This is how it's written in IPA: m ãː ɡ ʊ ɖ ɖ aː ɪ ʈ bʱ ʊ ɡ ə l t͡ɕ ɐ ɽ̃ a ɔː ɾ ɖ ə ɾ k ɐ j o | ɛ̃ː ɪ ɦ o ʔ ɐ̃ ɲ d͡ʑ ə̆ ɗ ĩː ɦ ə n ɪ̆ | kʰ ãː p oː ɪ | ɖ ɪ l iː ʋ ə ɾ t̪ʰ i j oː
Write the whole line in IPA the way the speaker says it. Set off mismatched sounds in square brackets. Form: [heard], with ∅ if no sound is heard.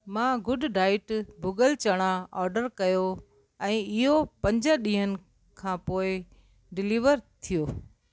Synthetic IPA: m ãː ɡ ʊ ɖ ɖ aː ɪ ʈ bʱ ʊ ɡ ə l t͡ɕ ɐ ɽ̃ a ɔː ɾ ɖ ə ɾ k ɐ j o | ɛ̃ː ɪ ɦ o [p] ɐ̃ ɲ d͡ʑ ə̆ ɗ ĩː ɦ ə n ɪ̆ | kʰ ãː p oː ɪ | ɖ ɪ l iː ʋ ə ɾ t̪ʰ i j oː